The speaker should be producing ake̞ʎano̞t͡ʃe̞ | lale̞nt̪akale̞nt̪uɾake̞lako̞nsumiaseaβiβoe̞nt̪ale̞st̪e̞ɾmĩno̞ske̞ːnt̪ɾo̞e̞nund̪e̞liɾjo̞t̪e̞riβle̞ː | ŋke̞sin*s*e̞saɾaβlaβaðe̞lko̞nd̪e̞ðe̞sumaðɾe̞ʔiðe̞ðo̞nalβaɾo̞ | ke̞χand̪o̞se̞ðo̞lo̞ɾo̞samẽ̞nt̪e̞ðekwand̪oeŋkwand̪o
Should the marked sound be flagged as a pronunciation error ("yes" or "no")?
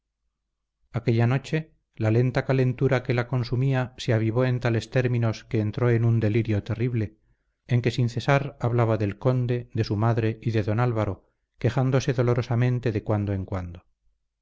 yes